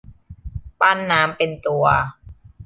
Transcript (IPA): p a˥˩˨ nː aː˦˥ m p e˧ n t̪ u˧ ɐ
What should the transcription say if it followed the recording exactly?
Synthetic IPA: p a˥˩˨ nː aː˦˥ m p e˧ n t̪ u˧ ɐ